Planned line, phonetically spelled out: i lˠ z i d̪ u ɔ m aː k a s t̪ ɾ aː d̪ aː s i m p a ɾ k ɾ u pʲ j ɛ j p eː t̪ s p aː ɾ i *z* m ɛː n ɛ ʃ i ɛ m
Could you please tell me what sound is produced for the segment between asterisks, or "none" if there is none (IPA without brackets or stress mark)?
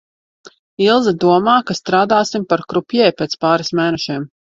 s